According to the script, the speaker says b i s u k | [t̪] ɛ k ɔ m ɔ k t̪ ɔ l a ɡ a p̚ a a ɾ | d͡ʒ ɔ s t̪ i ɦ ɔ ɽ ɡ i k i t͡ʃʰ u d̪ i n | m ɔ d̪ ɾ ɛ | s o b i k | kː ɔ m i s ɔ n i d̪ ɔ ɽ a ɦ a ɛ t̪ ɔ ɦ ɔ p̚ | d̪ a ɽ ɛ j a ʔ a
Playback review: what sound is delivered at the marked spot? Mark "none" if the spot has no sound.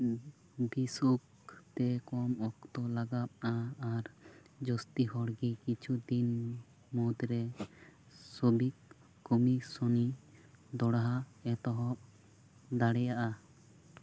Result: t̪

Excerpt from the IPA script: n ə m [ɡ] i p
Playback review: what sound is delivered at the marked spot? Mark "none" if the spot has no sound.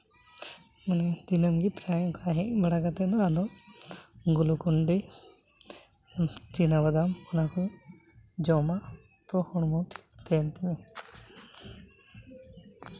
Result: ɡ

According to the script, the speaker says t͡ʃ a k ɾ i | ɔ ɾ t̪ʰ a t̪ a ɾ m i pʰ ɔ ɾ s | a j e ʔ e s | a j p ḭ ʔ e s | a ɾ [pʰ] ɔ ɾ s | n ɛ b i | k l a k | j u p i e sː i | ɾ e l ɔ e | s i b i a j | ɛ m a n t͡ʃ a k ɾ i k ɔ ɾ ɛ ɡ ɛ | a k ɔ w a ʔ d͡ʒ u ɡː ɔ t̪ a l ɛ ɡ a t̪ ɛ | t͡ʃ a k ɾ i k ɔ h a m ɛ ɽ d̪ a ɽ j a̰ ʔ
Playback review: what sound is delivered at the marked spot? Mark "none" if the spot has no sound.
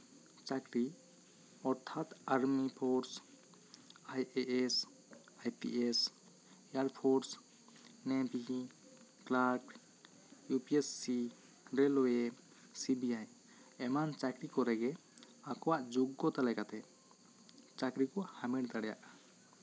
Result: pʰ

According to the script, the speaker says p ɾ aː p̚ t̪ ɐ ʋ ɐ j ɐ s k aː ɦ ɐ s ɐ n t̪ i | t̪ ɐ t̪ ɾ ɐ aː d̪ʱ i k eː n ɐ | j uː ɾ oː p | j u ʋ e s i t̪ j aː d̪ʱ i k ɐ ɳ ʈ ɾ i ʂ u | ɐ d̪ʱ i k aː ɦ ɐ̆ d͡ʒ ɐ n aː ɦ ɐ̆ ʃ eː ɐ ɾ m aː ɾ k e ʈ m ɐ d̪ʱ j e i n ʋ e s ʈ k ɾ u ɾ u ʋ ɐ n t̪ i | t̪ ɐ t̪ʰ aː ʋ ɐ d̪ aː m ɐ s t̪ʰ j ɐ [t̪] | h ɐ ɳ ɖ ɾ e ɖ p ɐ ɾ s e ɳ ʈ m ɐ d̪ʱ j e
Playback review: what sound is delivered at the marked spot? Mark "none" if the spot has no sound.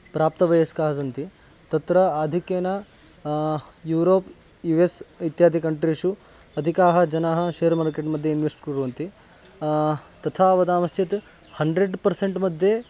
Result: t̪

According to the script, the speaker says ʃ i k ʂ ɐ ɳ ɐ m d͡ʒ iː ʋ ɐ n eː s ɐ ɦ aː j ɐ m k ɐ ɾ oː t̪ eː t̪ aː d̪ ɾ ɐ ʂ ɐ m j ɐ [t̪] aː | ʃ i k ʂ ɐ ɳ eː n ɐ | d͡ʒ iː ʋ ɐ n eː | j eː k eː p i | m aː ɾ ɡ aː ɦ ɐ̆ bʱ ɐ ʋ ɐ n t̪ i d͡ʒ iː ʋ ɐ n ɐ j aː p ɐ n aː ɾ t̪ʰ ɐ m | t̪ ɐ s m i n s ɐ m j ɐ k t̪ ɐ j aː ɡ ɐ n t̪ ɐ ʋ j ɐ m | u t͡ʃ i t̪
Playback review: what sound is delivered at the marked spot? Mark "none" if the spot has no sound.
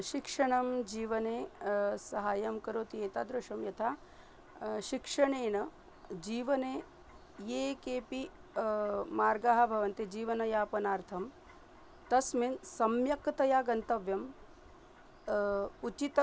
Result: t̪ʰ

